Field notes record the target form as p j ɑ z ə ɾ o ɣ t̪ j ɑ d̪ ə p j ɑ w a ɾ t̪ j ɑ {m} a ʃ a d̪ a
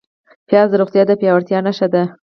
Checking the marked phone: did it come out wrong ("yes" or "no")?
yes